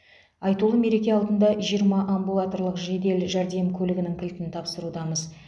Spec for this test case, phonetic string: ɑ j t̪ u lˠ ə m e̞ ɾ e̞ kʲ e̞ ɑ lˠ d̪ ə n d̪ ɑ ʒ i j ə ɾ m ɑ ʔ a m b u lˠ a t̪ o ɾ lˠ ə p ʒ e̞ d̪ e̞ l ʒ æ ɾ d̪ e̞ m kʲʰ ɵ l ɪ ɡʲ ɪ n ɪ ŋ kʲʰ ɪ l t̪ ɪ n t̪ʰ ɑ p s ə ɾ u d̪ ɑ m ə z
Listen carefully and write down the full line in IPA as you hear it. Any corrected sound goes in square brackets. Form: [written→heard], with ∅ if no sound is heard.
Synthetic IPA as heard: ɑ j t̪ u lˠ ə m e̞ ɾ e̞ kʲ e̞ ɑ lˠ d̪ ə n d̪ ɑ ʒ i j ə ɾ m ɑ ʔ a m b u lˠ a t̪ o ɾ lˠ ə [p→q] ʒ e̞ d̪ e̞ l ʒ æ ɾ d̪ e̞ m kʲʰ ɵ l ɪ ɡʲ ɪ n ɪ ŋ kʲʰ ɪ l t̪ ɪ n t̪ʰ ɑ p s ə ɾ u d̪ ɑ m ə z